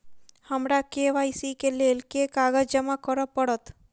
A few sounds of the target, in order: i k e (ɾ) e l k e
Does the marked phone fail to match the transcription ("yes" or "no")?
yes